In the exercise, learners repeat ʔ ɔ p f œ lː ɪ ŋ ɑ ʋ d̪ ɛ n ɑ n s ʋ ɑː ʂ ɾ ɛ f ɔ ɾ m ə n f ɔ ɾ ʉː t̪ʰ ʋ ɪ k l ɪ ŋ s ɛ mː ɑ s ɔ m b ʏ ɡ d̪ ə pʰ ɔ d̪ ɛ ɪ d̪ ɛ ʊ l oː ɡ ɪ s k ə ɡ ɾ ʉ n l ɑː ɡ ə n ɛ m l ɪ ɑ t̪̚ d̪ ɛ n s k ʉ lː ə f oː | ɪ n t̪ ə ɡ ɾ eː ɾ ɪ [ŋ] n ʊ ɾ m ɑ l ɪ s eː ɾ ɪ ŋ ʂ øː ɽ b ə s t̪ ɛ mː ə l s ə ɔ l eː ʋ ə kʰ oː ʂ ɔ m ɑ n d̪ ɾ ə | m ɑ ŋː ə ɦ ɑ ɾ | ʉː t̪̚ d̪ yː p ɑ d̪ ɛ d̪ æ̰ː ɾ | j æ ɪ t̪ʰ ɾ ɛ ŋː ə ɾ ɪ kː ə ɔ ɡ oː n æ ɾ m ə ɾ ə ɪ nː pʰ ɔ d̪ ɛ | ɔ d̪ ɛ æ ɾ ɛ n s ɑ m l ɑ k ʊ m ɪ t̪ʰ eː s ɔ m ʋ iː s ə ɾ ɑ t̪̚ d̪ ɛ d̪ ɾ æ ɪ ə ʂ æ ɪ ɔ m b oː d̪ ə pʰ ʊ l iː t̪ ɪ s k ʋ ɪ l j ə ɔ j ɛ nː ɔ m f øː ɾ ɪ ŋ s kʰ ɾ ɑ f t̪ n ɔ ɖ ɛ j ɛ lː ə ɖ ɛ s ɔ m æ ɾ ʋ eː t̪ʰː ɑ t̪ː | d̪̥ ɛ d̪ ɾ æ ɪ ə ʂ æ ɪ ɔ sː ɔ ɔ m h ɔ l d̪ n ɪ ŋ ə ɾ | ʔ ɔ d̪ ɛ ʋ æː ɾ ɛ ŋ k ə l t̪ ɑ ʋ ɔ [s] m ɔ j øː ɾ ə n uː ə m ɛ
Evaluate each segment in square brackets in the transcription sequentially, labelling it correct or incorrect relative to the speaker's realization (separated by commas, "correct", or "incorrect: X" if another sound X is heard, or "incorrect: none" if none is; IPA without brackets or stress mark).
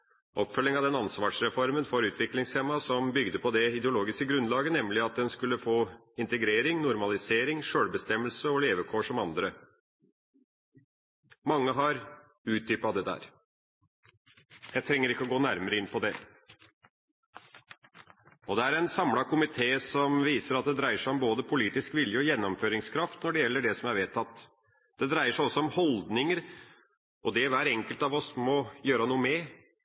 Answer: correct, correct